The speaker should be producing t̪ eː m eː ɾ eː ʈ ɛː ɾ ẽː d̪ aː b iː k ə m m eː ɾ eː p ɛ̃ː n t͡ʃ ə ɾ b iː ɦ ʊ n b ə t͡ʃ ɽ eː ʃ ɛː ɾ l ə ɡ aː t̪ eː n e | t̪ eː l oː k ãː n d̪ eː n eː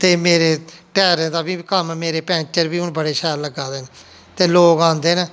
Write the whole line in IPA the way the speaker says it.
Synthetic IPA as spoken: t̪ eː m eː ɾ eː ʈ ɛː ɾ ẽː d̪ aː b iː k ə m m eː ɾ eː p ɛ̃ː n t͡ʃ ə ɾ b iː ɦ ʊ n b ə ɽ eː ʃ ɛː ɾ l ə ɡ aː d̪ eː n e | t̪ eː l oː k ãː n d̪ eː n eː

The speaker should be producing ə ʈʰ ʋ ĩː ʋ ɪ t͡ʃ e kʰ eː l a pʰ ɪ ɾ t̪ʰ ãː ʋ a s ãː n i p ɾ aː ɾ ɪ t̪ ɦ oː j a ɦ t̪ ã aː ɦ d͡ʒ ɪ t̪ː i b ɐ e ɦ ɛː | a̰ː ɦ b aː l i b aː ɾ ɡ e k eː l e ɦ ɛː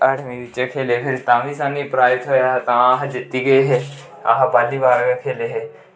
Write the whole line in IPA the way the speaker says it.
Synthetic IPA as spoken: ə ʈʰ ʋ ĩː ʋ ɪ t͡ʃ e kʰ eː l e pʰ ɪ ɾ t̪ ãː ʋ i s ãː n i p ɾ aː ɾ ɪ t̪ ɦ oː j a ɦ t̪ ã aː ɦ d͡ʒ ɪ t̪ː i ɡ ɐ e ɦ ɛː | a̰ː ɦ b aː l i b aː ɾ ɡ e kʰ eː l e ɦ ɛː

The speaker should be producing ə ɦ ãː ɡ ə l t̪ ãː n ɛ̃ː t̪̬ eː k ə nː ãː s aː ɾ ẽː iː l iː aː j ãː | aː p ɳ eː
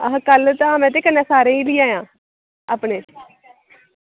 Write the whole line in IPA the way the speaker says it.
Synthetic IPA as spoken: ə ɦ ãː k ə l t̪ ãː m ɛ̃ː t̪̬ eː k ə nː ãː s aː ɾ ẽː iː l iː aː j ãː | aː p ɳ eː

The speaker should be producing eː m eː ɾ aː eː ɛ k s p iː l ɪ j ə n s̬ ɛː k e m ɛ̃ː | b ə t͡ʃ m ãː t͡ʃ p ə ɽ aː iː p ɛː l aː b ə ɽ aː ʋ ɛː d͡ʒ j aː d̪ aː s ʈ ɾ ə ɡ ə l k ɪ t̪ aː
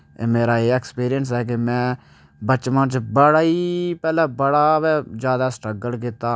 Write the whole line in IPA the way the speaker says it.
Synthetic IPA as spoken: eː m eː ɾ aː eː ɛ k s p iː ɾ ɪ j ə n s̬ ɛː k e m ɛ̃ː | b ə t͡ʃ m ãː t͡ʃ b ə ɽ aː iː p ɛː l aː b ə ɽ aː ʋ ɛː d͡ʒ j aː d̪ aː s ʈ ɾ ə ɡ ə l k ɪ t̪ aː

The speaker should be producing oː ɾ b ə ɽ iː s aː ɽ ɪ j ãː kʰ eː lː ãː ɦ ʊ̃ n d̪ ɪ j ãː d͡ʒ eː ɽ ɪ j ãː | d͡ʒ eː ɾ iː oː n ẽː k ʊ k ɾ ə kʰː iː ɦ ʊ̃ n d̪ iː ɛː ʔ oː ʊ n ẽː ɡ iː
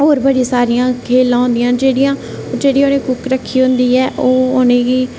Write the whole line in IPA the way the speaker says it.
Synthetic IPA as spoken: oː ɾ b ə ɽ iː s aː ɾ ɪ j ãː kʰ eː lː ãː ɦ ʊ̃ n d̪ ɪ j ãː d͡ʒ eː ɽ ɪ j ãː | d͡ʒ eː ɽ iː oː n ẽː k ʊ k ɾ ə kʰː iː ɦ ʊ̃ n d̪ iː ɛː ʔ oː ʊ n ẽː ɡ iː

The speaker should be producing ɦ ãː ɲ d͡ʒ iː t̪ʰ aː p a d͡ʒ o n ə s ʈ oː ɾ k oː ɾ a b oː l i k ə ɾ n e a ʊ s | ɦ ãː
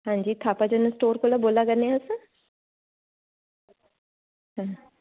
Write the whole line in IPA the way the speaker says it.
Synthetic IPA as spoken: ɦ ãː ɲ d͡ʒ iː t̪ʰ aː p a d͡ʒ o n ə s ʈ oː ɾ k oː l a b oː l a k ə ɾ n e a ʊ s | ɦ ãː

